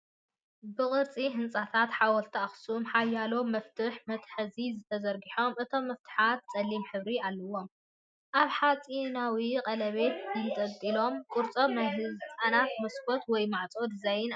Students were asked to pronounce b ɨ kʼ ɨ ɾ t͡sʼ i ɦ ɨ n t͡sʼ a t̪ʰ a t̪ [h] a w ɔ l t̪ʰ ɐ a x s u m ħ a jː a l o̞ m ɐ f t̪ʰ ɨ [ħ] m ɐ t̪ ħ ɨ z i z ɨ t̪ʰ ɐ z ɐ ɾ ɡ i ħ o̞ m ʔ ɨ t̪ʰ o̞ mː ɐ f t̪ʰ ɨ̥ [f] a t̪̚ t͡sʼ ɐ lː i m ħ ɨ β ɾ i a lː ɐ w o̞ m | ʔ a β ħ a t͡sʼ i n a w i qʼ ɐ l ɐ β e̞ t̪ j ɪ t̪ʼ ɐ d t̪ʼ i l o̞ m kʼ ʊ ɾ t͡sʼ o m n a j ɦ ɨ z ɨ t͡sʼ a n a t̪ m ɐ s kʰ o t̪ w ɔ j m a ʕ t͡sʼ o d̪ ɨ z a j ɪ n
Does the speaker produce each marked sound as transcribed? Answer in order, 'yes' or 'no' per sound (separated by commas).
no, yes, no